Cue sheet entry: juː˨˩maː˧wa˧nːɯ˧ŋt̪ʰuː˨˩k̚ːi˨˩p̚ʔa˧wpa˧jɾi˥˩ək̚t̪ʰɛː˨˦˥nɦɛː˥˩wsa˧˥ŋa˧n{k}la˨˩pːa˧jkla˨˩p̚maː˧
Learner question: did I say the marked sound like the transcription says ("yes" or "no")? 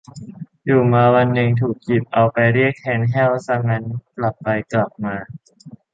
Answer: yes